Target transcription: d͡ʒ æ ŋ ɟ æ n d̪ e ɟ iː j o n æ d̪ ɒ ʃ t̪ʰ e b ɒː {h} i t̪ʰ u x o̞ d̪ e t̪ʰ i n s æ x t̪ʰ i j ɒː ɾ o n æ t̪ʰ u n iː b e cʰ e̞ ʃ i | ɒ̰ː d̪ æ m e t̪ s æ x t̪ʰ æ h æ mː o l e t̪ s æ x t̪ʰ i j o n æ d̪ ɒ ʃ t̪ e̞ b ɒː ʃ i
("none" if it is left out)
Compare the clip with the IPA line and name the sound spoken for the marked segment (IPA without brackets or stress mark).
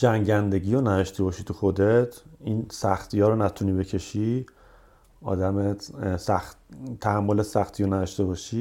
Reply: ʃ